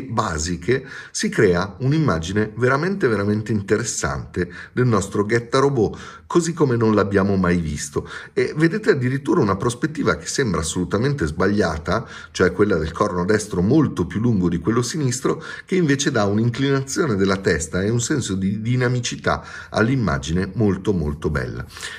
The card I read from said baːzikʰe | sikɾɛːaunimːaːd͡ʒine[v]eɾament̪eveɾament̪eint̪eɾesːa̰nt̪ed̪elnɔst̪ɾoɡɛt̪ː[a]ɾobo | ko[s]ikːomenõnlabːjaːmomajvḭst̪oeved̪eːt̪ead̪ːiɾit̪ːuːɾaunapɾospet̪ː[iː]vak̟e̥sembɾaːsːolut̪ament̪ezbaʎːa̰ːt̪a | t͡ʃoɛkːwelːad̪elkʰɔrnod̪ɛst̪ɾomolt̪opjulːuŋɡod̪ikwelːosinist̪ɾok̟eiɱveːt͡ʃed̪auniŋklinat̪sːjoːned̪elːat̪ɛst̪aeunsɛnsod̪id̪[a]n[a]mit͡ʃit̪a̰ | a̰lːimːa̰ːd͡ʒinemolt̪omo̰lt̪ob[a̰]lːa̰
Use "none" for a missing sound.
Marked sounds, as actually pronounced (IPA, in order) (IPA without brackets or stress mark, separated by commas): v, a, z, iː, i, a, ɛ̰